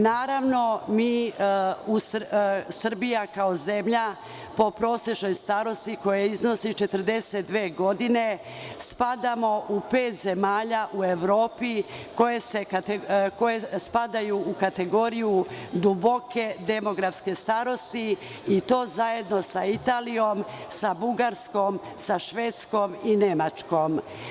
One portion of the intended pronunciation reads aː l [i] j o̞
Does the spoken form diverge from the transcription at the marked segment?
no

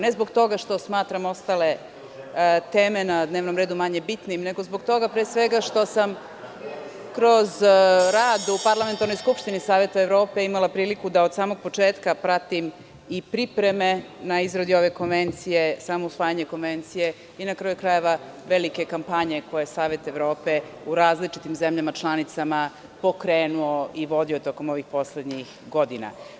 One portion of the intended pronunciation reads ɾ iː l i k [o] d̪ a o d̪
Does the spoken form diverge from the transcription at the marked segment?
yes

